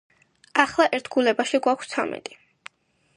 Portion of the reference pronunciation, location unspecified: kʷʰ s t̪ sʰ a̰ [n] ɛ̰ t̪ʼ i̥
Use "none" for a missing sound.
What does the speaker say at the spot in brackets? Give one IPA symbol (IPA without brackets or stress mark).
m